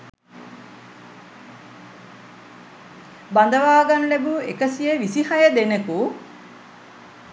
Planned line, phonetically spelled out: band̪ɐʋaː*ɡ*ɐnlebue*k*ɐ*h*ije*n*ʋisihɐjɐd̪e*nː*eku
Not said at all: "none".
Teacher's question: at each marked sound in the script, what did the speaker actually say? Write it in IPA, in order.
ɡ, k, s, none, n

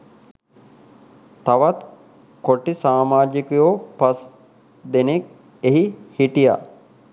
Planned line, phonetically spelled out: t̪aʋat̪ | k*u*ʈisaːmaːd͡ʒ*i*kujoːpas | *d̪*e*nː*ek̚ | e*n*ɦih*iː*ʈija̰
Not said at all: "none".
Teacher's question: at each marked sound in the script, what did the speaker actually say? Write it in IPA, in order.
o, i, d̪, n, none, i

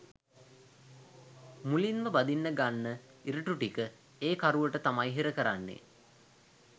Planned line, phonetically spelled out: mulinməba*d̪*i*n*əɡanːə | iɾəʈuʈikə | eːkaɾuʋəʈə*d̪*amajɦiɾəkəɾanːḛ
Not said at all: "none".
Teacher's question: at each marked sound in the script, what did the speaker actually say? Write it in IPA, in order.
d̪, nː, t̪

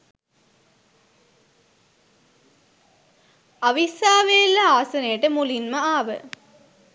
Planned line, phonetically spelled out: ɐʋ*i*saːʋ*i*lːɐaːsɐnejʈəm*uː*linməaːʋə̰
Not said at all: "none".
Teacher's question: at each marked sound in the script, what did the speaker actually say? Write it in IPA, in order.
i, e, u

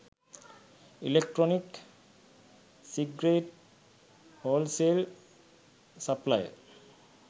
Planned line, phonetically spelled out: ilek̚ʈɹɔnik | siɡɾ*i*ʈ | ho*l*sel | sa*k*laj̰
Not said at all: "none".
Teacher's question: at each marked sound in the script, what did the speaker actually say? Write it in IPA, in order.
e, l, p

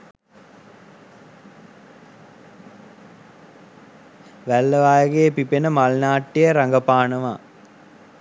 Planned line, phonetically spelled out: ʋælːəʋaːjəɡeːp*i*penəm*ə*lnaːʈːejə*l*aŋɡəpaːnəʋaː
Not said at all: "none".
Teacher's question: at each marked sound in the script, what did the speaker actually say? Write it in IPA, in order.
i, a, ɾ

